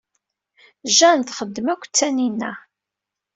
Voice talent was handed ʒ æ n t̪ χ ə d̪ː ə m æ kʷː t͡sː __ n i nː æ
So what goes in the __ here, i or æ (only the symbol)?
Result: æ